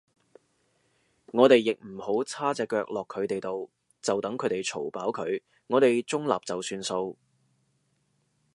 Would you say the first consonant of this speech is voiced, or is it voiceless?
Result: voiced